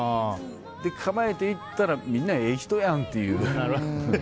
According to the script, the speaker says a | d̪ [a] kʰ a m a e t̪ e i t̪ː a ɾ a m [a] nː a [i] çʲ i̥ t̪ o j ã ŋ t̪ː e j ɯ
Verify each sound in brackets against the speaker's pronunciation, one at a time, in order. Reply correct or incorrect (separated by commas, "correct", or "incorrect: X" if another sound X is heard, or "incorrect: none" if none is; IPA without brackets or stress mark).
incorrect: e, incorrect: i, incorrect: e